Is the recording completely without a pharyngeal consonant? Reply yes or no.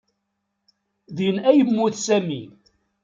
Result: yes